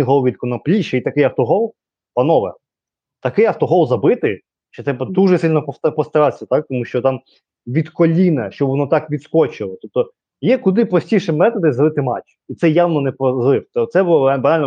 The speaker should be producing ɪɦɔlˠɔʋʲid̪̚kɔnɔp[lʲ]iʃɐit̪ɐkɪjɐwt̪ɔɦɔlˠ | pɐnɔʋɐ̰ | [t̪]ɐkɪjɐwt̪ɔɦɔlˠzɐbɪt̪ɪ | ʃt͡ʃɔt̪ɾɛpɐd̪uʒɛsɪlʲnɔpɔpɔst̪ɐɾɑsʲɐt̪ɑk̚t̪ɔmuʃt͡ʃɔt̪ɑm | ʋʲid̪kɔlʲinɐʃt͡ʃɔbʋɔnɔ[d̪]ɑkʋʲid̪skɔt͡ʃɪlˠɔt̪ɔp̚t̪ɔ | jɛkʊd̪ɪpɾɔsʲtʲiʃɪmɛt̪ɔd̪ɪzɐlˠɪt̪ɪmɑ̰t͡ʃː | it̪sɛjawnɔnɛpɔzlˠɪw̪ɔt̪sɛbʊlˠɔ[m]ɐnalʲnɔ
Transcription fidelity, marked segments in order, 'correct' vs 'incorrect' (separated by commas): correct, correct, incorrect, incorrect